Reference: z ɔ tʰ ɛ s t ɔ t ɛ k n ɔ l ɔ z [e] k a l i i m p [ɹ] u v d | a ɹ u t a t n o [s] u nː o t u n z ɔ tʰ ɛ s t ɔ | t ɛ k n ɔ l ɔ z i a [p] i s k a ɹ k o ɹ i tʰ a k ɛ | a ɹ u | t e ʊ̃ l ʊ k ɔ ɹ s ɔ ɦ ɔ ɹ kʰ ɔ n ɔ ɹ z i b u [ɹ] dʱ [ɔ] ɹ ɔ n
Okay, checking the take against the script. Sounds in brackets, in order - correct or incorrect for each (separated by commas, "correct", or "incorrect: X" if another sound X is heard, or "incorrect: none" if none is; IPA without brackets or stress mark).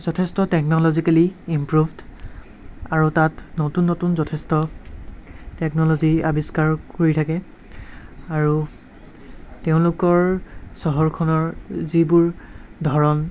incorrect: i, correct, incorrect: t, incorrect: b, correct, correct